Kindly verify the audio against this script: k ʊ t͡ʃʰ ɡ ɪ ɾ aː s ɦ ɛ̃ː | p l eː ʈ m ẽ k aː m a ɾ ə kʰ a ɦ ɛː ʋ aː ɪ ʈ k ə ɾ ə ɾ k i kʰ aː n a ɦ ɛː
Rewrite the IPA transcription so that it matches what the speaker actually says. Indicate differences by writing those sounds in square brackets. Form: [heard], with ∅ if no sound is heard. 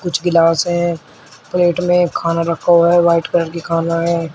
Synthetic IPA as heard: k ʊ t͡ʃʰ ɡ ɪ [l] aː s ɦ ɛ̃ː | p l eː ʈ m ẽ [kʰ] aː [n] a ɾ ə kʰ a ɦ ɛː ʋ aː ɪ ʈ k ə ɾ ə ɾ k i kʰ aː n a ɦ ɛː